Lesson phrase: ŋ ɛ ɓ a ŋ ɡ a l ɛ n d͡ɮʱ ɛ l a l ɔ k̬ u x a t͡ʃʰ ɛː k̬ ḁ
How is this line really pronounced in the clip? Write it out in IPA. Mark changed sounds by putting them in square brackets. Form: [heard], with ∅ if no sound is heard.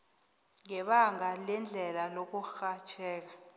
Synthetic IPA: ŋ ɛ ɓ a ŋ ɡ a l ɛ n d͡ɮʱ ɛ l a l [o] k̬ u x a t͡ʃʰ ɛː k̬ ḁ